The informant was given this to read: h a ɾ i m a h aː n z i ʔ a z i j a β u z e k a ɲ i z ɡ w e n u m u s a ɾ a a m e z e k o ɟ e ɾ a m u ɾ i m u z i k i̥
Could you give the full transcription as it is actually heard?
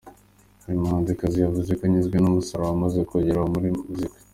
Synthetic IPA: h a ɾ i m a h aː n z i k a z i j a v u z e k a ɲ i z ɡ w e n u m u s a ɾ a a m a z e k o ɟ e ɾ a m u ɾ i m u z i k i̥

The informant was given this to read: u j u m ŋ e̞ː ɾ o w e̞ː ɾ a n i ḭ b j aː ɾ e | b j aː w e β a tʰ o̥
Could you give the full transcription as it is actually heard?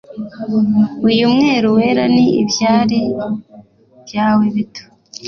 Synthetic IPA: u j u m ŋ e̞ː ɾ u w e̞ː ɾ a n i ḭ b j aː ɾ e | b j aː w e β i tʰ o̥

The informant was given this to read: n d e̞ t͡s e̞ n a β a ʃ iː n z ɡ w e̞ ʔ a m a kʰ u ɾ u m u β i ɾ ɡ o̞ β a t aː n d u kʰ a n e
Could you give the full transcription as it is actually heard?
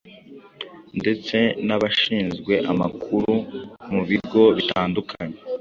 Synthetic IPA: n d e̞ t͡s e̞ n a β a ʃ iː n z ɡ w e̞ ʔ a m a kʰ u ɾ u m u β i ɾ ɡ o̞ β i t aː n d u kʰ a ɲ e

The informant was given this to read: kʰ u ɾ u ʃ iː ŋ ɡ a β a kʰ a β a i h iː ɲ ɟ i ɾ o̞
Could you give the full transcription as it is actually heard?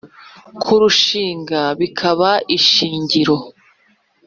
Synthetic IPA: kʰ u ɾ u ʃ iː ŋ ɡ a β i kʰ a β a i ʃ iː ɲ ɟ i ɾ o̞

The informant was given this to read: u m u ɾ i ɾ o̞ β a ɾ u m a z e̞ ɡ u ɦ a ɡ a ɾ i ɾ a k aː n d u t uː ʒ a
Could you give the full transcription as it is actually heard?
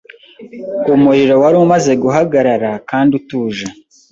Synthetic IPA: u m u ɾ i ɾ o̞ w a ɾ u m a z e̞ ɡ u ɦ a ɡ a ɾ a ɾ a k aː n d u t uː ʒ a

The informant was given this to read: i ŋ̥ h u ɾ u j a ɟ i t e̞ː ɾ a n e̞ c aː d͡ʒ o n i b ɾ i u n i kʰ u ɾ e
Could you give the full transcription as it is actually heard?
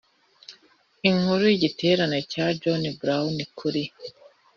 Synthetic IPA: i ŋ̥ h u ɾ u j i ɟ i t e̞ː ɾ a n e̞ c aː d͡ʒ o n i b ɾ a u n i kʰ u ɾ i

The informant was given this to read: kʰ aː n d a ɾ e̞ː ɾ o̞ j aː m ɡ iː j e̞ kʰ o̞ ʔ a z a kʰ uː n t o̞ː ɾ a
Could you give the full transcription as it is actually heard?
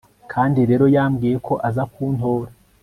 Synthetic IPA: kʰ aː n d i ɾ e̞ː ɾ o̞ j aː m ɡ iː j e̞ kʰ o̞ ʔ a z a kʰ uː n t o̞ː ɾ a

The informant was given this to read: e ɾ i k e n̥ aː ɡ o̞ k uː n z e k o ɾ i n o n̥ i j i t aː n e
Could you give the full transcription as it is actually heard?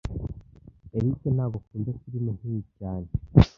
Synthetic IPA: e ɾ i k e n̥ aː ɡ o̞ k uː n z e k u ɾ i m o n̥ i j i c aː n e

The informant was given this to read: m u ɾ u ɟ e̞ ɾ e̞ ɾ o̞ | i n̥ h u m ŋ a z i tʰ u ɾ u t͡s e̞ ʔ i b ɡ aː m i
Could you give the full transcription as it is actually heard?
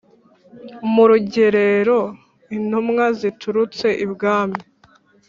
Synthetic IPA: m u ɾ u ɟ e̞ ɾ e̞ ɾ o̞ | i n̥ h u m ŋ a z i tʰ u ɾ u t͡s e̞ ʔ i b ɡ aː m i

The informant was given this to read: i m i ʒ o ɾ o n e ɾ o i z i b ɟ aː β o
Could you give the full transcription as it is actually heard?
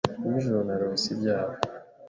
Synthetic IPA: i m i ʒ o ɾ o n a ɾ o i s i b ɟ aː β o

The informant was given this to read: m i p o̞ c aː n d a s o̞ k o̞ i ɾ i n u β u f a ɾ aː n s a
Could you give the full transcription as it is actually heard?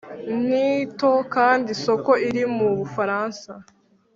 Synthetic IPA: n i t o̞ k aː n d i s o̞ k o̞ i ɾ i m u β u f a ɾ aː n s a

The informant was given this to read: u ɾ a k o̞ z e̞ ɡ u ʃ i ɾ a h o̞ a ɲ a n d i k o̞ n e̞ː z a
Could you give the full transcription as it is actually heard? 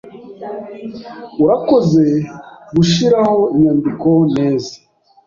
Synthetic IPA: u ɾ a k o̞ z e̞ ɡ u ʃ i ɾ a h o̞ i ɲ a n d i k o̞ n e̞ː z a

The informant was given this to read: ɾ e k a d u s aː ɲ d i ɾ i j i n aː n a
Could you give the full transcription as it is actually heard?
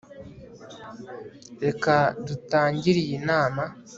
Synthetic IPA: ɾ e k a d u t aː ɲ ɟ i ɾ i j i n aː m a

